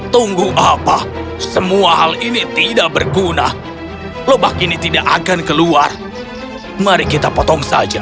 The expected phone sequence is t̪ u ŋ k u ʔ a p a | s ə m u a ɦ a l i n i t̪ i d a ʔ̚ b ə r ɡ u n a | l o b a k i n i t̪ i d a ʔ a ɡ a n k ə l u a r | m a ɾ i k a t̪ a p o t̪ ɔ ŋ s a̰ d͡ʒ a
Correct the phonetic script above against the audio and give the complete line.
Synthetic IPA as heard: t̪ u ŋ ɡ u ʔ a p a | s ə m u a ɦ a l i n i t̪ i d a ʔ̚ b ə r ɡ u n a | l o b a k i n i t̪ i d a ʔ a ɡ a n k ə l u a r | m a ɾ i k i t̪ a p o t̪ ɔ ŋ s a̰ d͡ʒ a